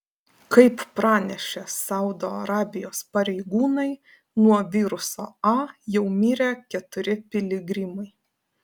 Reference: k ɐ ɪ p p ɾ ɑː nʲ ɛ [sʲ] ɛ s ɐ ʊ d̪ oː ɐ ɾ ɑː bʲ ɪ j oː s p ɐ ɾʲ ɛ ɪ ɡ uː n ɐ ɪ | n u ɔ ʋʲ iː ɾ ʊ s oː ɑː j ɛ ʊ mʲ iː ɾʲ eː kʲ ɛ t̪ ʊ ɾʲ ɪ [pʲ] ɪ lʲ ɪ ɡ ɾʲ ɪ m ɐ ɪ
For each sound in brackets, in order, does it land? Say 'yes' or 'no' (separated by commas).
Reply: no, yes